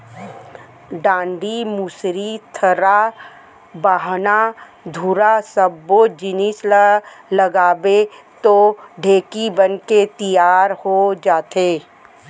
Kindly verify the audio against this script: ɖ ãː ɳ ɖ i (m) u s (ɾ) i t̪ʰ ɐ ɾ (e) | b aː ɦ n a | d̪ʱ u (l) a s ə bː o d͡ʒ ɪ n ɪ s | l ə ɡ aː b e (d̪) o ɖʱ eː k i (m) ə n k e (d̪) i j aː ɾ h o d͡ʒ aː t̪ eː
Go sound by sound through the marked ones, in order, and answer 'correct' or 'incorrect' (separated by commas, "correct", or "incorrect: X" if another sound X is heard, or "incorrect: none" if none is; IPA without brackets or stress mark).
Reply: correct, correct, incorrect: a, incorrect: ɾ, incorrect: t̪, incorrect: b, incorrect: t̪